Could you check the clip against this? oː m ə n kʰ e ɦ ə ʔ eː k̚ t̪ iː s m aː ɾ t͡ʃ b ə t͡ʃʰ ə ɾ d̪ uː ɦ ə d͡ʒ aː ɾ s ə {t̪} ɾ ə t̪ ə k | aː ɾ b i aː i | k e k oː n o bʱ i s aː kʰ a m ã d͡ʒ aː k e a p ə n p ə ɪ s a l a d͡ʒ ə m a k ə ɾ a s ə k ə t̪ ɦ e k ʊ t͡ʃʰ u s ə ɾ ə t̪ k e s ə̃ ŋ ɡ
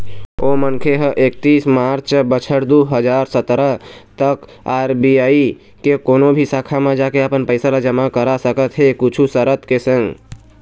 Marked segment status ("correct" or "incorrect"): correct